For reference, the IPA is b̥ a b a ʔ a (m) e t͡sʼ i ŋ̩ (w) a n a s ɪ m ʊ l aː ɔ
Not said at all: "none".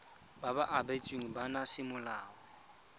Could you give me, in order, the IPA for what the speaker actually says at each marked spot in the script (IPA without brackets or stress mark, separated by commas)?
b, b